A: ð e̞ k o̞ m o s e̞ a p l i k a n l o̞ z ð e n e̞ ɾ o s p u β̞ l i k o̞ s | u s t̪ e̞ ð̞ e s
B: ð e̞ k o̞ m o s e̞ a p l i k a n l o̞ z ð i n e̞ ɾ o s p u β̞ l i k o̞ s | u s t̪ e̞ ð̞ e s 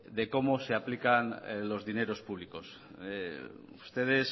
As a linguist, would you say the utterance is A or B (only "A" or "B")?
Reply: B